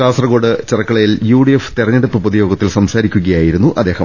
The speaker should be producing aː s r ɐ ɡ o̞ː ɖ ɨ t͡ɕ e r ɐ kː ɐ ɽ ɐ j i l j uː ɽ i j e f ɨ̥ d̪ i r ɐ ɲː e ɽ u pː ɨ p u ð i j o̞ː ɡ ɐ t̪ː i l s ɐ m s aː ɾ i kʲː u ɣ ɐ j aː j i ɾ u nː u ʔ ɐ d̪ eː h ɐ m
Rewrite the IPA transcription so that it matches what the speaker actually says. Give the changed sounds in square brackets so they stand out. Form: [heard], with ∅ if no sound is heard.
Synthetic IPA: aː s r ɐ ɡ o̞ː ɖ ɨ t͡ɕ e r ɐ kː ɐ [ɭ] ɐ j i l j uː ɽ i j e f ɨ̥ [t̪] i r ɐ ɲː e ɽ u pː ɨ p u ð i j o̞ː ɡ ɐ t̪ː i l s ɐ m s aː ɾ i kʲː u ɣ ɐ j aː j i ɾ u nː u ʔ ɐ d̪ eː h ɐ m